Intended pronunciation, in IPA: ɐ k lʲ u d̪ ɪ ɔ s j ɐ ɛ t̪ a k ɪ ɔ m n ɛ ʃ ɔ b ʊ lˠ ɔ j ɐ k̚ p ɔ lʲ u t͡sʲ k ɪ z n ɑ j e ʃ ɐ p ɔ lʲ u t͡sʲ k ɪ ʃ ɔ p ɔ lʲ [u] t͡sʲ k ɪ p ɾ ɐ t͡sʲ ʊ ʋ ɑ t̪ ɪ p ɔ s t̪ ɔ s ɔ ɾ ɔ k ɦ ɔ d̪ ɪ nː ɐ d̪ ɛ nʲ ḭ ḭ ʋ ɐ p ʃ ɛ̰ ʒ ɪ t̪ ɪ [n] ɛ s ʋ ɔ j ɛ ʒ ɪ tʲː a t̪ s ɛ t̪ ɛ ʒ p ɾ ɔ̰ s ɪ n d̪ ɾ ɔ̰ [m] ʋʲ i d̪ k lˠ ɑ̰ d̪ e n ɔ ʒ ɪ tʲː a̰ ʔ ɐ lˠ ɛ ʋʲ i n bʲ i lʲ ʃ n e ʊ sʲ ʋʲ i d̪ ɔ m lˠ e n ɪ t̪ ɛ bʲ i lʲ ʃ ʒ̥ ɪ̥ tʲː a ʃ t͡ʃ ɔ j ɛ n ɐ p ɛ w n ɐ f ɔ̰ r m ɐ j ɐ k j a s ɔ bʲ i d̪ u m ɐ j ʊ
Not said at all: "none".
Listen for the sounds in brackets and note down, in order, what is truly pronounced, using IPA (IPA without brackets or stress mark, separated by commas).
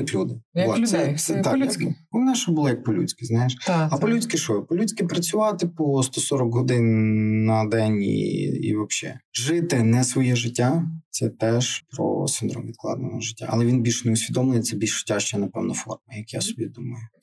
u, n, m